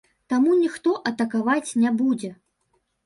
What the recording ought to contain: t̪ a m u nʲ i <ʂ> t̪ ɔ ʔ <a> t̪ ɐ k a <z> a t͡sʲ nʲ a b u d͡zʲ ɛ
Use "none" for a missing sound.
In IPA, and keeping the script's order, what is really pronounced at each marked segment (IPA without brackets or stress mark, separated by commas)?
x, ɐ, v